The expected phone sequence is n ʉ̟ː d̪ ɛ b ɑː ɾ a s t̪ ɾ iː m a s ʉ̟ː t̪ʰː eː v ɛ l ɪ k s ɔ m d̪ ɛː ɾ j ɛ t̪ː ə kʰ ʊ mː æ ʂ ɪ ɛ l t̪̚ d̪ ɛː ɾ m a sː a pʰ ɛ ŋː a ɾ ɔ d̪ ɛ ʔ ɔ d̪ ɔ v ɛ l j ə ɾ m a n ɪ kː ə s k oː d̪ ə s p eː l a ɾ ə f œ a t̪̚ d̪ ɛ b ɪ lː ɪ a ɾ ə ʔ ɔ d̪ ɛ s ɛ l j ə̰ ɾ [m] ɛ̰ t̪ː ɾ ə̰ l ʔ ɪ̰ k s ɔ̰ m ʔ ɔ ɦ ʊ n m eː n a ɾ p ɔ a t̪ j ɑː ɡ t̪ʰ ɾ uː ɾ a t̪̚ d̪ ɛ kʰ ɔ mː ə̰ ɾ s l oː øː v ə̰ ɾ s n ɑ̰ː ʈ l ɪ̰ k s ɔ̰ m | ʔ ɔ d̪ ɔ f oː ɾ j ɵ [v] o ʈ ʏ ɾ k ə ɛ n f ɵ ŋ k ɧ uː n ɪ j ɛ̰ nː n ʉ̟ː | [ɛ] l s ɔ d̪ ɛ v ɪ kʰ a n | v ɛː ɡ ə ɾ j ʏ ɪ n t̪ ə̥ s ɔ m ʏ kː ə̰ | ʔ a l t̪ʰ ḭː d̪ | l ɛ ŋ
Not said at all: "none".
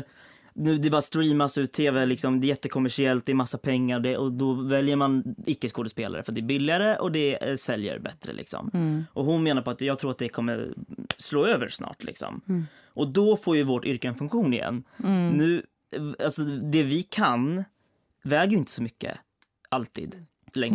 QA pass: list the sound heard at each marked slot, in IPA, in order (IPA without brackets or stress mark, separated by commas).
b, v, a